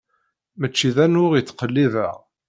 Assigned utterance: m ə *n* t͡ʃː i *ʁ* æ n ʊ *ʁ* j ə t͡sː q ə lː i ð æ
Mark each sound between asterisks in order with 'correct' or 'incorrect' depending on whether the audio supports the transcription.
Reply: incorrect: none, incorrect: ð, correct

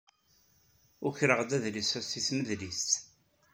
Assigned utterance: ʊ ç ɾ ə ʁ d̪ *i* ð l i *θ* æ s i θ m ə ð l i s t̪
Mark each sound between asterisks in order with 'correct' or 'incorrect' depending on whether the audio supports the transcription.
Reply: incorrect: æ, incorrect: s

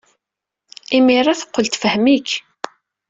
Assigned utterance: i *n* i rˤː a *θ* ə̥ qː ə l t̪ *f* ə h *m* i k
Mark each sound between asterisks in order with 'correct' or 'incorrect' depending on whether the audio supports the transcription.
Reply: incorrect: m, correct, correct, correct

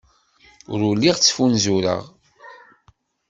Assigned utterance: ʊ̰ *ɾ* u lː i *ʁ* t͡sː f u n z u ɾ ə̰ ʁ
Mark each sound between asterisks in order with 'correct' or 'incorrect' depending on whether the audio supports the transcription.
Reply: correct, correct

